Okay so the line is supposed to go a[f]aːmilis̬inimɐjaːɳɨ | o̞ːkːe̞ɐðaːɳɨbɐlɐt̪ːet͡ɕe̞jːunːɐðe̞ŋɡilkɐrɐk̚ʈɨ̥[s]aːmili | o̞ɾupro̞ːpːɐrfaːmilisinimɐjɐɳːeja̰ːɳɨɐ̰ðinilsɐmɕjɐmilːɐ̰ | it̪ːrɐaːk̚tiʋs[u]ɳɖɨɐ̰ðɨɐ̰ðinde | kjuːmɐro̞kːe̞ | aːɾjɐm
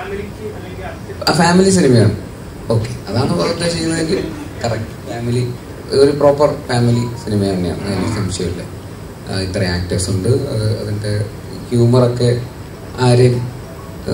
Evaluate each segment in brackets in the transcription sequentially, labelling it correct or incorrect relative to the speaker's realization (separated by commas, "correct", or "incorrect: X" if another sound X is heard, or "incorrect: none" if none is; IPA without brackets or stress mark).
correct, incorrect: f, correct